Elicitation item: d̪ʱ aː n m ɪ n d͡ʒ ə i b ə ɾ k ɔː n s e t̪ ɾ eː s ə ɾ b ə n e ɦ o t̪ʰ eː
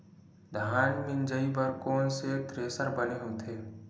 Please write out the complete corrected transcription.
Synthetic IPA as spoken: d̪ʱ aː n m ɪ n d͡ʒ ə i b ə ɾ k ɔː n s e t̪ ɾ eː s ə ɾ b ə n e ɦ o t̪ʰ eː